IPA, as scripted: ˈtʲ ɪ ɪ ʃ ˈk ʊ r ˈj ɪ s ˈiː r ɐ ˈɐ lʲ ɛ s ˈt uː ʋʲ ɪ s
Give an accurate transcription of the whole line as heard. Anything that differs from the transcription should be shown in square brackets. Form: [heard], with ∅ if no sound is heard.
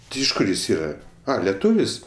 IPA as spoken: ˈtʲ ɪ ɪ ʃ ˈk ʊ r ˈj ɪ s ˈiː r ɐ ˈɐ lʲ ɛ [∅] ˈt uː ʋʲ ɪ s